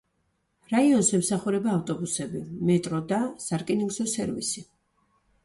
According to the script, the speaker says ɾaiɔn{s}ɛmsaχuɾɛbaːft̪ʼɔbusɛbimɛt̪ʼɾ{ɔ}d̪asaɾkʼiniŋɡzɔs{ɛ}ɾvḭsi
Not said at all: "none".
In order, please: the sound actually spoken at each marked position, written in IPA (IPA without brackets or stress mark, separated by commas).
s, ɔ, ɛ